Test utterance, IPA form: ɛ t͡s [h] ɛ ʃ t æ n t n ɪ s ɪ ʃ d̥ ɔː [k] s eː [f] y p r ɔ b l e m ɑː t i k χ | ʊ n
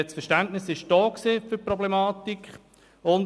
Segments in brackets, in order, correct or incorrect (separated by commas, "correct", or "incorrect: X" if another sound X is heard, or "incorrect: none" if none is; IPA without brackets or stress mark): incorrect: f, correct, correct